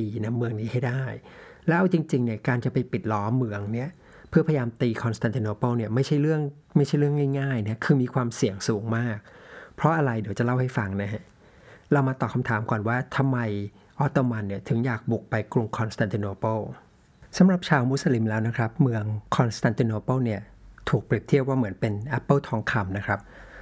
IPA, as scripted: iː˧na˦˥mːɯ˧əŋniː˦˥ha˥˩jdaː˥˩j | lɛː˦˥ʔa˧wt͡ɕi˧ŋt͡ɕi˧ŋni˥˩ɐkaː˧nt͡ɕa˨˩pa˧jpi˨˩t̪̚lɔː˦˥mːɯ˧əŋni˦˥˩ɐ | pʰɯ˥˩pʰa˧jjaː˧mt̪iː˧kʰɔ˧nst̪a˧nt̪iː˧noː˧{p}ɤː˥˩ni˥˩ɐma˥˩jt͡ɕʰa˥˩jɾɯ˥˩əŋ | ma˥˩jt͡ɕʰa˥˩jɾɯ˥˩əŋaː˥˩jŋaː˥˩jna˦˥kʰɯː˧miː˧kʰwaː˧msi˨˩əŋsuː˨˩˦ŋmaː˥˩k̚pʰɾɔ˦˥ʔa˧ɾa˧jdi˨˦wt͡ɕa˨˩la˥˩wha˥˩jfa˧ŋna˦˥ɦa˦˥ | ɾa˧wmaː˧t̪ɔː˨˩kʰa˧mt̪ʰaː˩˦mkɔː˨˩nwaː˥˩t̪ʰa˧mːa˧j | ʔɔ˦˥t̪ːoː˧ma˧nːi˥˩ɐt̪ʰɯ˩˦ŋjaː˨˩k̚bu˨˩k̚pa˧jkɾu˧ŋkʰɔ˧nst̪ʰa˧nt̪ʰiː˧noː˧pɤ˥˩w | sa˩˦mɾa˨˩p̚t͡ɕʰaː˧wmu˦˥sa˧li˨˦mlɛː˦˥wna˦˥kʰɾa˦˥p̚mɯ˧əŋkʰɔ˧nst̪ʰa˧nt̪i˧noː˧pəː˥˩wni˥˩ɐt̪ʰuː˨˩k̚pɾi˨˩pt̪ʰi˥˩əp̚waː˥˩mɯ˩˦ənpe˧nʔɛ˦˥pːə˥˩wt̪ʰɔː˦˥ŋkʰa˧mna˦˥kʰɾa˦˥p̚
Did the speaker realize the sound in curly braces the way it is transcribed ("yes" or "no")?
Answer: yes